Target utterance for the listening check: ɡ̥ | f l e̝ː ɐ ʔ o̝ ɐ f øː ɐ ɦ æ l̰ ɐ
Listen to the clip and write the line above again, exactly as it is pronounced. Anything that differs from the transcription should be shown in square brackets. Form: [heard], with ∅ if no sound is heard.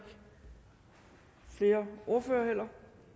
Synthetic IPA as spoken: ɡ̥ | f l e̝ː ɐ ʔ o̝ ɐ f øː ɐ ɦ [e] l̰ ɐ